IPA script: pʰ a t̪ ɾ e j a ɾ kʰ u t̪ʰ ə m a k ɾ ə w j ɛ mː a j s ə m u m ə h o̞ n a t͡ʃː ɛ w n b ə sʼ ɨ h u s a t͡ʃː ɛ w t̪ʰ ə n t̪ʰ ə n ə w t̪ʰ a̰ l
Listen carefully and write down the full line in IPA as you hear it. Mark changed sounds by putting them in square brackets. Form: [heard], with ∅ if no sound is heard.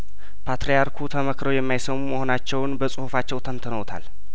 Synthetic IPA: pʰ a t̪ ɾ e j a ɾ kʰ u t̪ʰ ə m [ə] k ɾ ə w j ɛ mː a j s ə m u m ə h o̞ n a t͡ʃː ɛ w n b ə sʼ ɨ h u [f] a t͡ʃː ɛ w t̪ʰ ə n t̪ʰ ə n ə w t̪ʰ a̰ l

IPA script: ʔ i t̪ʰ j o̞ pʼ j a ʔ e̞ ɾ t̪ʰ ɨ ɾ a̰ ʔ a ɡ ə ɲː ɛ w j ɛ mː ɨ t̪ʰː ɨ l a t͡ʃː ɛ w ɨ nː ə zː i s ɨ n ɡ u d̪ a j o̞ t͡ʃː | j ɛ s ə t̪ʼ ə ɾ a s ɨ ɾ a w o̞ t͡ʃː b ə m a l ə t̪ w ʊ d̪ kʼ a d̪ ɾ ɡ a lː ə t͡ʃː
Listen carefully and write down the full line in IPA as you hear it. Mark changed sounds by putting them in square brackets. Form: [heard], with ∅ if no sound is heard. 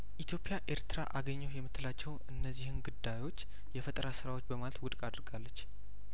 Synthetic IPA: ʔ i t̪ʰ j o̞ pʼ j a ʔ e̞ ɾ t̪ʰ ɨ ɾ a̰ ʔ a ɡ ə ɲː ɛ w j ɛ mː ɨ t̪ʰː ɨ l a t͡ʃː ɛ w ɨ nː ə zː i [h] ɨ n ɡ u d̪ a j o̞ t͡ʃː | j ɛ [f] ə t̪ʼ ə ɾ a s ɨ ɾ a w o̞ t͡ʃː b ə m a l ə t̪ w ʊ d̪ kʼ a d̪ ɾ ɡ a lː ə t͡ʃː

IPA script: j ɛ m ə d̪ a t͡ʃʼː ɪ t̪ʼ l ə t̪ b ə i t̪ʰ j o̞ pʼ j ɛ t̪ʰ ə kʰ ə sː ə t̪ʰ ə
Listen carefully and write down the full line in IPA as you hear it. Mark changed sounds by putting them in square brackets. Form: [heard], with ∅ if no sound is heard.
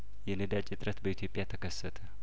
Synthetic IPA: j ɛ [n] ə d̪ a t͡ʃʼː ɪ t̪ʼ [ɾ] ə t̪ b ə i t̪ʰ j o̞ pʼ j [a] t̪ʰ ə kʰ ə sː ə t̪ʰ ə

